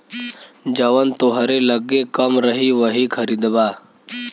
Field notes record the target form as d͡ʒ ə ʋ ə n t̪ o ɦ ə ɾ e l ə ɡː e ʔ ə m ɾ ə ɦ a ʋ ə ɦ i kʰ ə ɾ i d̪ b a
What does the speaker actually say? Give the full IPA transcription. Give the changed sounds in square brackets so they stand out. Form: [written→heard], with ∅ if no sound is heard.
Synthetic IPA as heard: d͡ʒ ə ʋ ə n t̪ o ɦ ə ɾ e l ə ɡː e [ʔ→k] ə m ɾ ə ɦ [a→i] ʋ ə ɦ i kʰ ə ɾ i d̪ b a